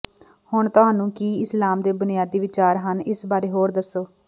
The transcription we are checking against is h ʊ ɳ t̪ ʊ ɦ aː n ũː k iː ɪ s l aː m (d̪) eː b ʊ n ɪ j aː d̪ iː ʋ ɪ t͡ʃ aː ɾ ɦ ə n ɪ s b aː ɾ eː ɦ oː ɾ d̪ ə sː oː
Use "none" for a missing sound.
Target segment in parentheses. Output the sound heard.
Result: d̪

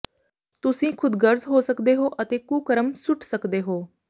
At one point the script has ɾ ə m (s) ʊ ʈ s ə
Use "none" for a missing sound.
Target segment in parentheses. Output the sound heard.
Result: s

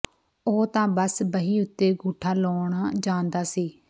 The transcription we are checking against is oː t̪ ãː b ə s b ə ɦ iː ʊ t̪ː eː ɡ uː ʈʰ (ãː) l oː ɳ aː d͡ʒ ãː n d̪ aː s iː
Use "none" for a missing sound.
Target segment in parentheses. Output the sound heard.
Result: aː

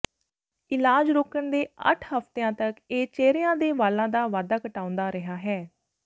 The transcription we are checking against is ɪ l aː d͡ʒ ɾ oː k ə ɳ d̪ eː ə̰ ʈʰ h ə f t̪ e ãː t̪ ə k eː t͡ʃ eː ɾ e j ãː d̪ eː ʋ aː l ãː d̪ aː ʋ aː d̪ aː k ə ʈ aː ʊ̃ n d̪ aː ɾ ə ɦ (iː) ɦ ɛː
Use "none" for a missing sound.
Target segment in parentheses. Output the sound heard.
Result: aː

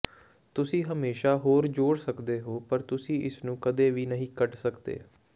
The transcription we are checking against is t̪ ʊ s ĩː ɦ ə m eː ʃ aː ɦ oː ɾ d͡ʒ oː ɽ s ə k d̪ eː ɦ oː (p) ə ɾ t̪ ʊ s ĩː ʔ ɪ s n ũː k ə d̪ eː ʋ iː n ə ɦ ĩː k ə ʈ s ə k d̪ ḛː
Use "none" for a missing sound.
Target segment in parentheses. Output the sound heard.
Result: p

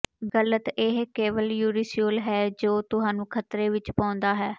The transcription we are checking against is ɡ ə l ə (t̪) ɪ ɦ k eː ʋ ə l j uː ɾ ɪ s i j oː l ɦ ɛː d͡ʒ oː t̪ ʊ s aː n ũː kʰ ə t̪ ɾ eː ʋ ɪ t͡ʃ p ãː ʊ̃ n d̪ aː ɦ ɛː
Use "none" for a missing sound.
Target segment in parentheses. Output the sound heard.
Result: t̪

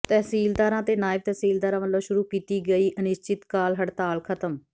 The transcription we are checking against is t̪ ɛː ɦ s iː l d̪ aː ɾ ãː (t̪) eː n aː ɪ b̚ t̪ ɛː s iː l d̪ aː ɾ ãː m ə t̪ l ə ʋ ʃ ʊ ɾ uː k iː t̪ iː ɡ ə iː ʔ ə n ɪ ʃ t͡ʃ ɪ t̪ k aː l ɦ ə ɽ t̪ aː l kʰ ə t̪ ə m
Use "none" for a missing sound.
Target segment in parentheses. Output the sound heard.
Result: t̪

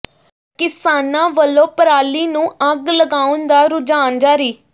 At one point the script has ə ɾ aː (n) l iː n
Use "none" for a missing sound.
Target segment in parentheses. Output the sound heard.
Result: none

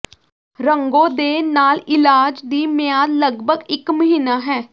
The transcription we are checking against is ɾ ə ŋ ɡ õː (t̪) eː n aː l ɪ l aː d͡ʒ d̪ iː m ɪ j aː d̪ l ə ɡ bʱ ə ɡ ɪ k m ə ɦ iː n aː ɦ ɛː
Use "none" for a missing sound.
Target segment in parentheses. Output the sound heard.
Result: d̪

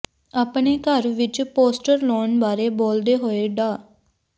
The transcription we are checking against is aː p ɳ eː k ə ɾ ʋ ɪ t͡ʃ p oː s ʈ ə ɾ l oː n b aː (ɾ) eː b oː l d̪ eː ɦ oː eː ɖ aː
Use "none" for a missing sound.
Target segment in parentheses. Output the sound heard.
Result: ɾ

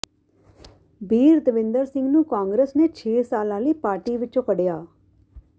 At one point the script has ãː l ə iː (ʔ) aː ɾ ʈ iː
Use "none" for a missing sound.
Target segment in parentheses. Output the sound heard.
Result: p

